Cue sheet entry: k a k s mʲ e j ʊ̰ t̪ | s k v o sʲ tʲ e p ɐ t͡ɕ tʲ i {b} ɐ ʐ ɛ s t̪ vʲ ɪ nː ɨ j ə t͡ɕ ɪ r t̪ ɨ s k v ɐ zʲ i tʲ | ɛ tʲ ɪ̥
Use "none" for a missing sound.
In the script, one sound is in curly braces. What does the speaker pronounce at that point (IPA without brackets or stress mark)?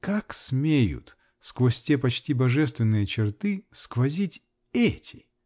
b